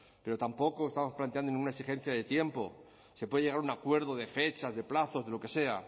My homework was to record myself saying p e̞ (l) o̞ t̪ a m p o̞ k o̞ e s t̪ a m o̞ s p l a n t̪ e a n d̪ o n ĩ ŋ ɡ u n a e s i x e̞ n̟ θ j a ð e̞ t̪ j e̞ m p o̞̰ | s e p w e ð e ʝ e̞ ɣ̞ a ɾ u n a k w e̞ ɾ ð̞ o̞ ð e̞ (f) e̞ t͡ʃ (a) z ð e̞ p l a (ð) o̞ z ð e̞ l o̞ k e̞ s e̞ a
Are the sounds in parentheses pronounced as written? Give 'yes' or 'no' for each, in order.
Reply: no, yes, yes, no

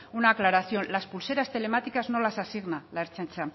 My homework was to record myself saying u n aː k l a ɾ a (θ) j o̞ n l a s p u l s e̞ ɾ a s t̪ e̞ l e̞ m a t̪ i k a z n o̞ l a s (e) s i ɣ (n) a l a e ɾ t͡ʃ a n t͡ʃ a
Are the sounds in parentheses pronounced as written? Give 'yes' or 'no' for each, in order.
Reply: yes, no, yes

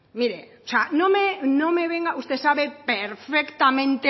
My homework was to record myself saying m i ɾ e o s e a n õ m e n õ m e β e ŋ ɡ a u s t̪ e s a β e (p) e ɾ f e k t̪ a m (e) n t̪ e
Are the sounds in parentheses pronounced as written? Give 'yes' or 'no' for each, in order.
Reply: yes, no

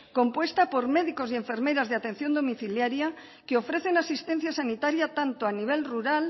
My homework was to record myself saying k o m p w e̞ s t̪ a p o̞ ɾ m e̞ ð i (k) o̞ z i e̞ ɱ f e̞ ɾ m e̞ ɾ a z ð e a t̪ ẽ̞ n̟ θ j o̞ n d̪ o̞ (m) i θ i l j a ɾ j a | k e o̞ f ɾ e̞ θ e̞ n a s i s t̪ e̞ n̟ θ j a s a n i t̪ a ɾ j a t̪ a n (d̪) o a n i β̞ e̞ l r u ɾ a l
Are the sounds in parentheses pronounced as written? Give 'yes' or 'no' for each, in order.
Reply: yes, yes, no

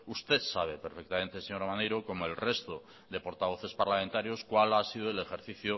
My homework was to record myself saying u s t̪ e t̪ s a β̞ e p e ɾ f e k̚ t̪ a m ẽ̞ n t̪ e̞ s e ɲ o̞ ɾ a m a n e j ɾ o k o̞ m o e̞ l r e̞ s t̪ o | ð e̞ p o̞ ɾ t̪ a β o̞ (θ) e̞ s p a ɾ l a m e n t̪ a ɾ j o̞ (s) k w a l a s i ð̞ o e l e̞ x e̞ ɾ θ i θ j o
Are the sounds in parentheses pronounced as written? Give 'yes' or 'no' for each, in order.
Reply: yes, yes

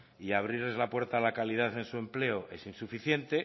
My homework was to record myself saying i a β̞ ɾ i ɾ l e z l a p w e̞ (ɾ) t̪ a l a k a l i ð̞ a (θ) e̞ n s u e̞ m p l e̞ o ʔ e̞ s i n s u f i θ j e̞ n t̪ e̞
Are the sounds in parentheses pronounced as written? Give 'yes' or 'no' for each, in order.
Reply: yes, yes

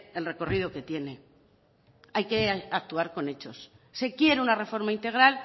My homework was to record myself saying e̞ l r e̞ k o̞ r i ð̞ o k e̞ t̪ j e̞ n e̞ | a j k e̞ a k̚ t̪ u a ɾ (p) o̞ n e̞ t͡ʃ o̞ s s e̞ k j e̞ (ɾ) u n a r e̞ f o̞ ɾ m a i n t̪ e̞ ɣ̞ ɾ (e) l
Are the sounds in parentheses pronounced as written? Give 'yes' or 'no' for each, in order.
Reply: no, yes, no

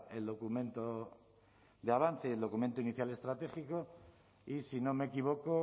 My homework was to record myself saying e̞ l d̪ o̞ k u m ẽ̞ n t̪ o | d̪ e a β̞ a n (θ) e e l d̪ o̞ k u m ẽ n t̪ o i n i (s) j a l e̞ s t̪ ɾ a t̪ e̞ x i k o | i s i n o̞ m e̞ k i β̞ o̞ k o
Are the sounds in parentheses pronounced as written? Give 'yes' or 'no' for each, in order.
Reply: yes, no

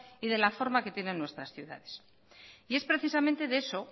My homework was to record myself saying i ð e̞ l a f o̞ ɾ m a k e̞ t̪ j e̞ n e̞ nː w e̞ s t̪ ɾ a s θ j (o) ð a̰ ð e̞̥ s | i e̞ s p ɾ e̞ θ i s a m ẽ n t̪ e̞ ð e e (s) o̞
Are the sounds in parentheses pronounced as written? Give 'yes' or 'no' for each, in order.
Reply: no, yes

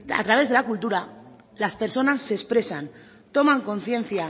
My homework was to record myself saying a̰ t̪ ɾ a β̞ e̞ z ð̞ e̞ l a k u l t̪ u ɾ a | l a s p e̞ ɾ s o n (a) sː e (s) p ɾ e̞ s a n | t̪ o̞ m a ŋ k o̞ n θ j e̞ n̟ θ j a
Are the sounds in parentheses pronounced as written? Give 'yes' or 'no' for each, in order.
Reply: yes, yes

